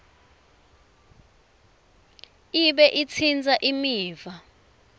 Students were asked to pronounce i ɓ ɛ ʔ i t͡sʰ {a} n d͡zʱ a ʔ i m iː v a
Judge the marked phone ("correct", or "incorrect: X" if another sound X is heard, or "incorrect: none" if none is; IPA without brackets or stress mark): incorrect: i